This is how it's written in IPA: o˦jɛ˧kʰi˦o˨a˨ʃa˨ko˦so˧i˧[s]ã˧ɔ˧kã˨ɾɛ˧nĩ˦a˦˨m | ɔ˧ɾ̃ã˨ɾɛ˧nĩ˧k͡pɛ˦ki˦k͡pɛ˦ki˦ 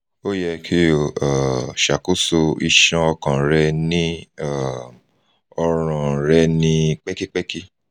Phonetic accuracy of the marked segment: incorrect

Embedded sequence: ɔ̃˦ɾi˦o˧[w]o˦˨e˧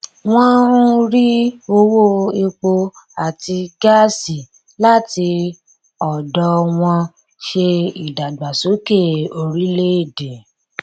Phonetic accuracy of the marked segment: correct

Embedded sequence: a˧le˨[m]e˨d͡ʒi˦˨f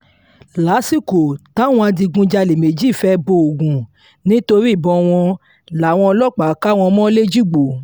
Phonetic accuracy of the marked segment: correct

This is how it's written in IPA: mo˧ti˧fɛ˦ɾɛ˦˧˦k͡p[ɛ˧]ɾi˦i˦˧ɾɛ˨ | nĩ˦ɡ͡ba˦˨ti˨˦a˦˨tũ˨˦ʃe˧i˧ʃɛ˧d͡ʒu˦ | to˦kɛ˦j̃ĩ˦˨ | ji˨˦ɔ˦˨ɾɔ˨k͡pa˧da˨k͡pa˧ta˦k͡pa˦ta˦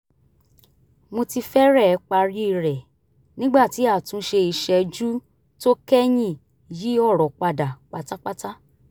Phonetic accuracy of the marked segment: incorrect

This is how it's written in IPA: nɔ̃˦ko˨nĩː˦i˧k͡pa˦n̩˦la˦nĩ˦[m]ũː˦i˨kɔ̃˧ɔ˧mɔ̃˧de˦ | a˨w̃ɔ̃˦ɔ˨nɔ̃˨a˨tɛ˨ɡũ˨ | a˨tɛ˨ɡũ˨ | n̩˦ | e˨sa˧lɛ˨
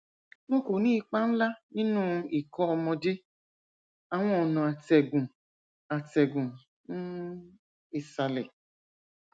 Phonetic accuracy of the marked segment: incorrect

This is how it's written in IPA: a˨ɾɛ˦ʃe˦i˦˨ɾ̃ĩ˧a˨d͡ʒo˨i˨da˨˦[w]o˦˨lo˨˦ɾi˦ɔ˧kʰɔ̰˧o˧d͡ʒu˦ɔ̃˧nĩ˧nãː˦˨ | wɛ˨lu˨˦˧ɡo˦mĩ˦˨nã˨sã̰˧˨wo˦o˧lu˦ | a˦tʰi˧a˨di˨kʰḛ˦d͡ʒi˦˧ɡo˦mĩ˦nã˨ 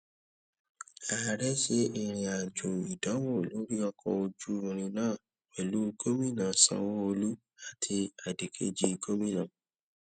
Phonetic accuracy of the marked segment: correct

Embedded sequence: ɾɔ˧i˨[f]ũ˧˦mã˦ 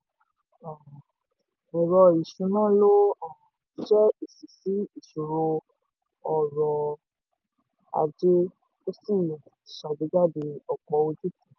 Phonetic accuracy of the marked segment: incorrect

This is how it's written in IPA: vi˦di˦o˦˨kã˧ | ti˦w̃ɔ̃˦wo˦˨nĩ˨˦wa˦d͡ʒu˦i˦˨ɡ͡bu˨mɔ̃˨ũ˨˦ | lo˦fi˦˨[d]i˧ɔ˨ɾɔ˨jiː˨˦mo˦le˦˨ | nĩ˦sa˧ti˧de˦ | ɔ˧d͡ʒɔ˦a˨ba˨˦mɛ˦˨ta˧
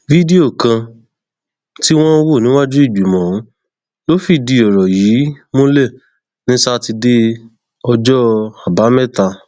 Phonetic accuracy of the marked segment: correct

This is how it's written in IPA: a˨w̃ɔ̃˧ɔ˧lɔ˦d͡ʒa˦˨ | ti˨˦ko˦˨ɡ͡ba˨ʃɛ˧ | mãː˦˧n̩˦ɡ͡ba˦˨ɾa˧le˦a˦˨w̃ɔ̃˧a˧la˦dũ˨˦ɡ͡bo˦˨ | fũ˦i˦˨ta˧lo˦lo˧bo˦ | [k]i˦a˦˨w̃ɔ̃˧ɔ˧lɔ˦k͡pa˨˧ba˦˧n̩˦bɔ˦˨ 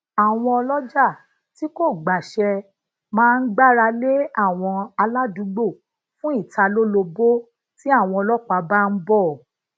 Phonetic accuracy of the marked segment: incorrect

